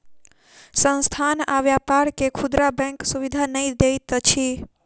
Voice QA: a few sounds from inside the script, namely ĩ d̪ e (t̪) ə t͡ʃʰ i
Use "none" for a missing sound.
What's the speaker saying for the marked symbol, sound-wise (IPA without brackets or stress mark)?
t̪